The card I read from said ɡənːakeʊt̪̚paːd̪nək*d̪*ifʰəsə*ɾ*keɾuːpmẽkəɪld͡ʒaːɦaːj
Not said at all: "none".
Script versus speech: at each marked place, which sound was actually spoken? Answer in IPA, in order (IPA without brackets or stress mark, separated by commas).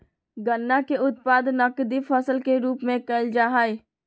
d̪, l